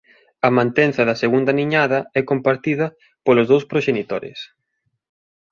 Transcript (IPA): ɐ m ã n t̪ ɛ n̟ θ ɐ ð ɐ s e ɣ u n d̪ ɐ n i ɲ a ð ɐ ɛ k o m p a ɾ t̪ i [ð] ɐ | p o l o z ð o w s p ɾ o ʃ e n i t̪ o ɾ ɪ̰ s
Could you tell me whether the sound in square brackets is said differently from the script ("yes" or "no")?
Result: no